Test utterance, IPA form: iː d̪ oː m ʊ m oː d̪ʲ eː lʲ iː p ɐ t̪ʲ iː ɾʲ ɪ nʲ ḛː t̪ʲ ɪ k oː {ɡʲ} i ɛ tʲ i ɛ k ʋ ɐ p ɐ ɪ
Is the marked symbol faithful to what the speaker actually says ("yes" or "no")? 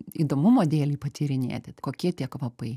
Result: no